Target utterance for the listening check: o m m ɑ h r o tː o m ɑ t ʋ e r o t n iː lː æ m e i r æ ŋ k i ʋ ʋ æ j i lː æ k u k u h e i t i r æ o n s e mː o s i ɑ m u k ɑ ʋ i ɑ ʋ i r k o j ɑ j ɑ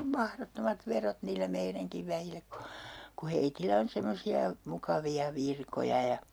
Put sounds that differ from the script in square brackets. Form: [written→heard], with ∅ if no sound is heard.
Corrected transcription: o m m ɑ h r o tː o m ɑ t ʋ e r o t n iː lː æ m e i r æ ŋ k i ʋ ʋ æ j i lː æ k u k u h e i t i [r→l] æ o n s e mː o s i ɑ m u k ɑ ʋ i ɑ ʋ i r k o j ɑ j ɑ